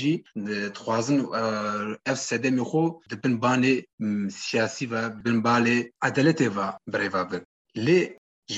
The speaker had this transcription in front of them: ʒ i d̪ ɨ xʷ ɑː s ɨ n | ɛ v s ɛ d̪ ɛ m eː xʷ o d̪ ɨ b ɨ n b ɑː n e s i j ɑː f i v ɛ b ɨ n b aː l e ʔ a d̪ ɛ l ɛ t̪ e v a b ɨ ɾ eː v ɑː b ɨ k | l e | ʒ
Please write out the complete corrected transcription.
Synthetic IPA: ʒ i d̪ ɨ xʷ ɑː z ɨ n | ɛ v s ɛ d̪ ɛ m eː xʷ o d̪ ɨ b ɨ n b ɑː n e s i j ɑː s i v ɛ b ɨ n b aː l e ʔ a d̪ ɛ l ɛ t̪ e v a b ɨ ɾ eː v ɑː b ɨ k | l e | ʒ